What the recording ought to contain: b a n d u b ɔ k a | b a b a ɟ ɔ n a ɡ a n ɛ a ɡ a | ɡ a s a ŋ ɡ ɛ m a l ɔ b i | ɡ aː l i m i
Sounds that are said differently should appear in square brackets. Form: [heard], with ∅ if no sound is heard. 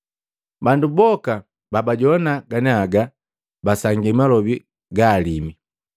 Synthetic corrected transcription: b a n d u b ɔ k a | b a b a ɟ ɔ n a ɡ a n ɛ a ɡ a | [b] a s a ŋ ɡ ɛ m a l ɔ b i | ɡ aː l i m i